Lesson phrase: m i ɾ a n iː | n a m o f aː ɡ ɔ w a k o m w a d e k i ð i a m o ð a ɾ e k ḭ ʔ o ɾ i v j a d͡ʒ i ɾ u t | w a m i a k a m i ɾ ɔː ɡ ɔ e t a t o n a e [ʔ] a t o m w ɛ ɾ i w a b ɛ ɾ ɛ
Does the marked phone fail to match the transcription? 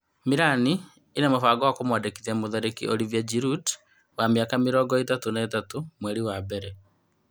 yes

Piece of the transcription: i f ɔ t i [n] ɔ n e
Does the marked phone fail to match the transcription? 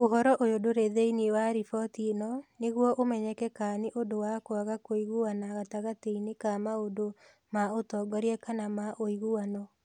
no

